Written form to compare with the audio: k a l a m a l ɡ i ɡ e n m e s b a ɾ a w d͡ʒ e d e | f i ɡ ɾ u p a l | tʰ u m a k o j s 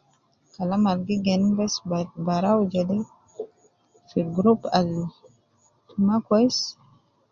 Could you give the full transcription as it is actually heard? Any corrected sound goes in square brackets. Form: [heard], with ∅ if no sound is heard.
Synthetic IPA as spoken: k a l a m a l ɡ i ɡ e n [b] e s b a ɾ a w d͡ʒ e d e | f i ɡ ɾ u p a l | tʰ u m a k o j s